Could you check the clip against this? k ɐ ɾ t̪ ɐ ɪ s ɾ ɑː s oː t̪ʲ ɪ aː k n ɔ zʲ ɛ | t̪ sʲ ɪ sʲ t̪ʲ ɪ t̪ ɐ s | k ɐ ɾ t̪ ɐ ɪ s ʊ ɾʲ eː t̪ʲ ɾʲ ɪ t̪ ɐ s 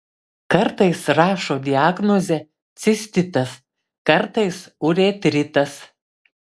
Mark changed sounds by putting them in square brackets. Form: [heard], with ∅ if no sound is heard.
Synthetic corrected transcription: k ɐ ɾ t̪ ɐ ɪ s ɾ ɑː [ʃ] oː [d̪ʲ] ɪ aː [ɡ] n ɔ zʲ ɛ | t̪ sʲ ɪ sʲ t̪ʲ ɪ t̪ ɐ s | k ɐ ɾ t̪ ɐ ɪ s ʊ ɾʲ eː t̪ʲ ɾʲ ɪ t̪ ɐ s

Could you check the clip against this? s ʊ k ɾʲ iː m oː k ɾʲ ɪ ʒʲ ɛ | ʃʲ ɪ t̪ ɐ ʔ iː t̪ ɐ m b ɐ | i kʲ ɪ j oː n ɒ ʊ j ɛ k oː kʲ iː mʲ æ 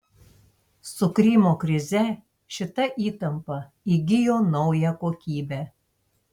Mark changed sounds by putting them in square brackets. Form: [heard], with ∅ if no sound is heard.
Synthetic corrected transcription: s ʊ k ɾʲ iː m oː k ɾʲ ɪ [zʲ] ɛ | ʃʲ ɪ t̪ ɐ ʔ iː t̪ ɐ m [p] ɐ | i [ɡʲ] ɪ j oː n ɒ ʊ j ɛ k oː kʲ iː [bʲ] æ

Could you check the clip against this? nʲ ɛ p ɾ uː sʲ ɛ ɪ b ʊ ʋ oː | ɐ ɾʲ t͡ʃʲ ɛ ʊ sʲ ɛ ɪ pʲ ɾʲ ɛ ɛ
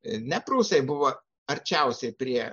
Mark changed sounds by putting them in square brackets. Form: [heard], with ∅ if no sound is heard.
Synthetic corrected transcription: nʲ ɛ p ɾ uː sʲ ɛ ɪ b ʊ ʋ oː | ɐ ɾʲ t͡ʃʲ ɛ ʊ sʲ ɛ ɪ pʲ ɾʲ [i] ɛ

